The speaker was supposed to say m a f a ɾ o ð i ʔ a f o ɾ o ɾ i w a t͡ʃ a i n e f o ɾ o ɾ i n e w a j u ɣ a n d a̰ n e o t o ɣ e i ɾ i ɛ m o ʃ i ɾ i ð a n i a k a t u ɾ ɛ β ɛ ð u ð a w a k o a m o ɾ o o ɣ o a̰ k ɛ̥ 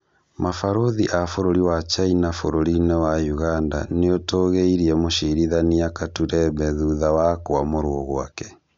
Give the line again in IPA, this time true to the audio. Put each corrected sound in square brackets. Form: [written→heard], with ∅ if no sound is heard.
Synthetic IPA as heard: m a f a ɾ o ð i ʔ a f o ɾ o ɾ i w a t͡ʃ a i n [e→a] f o ɾ o ɾ i n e w a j u ɣ a n d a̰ n e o t o ɣ e i ɾ i ɛ m o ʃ i ɾ i ð a n i a k a t u ɾ ɛ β ɛ ð u ð a w a k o a m o ɾ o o ɣ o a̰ k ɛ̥